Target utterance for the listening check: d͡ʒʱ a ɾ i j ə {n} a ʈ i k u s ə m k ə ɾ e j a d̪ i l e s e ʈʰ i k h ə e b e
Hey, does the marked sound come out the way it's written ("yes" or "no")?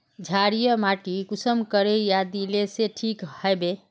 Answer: no